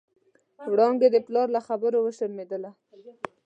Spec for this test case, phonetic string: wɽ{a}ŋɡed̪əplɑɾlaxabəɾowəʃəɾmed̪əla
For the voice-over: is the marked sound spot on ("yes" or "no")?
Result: no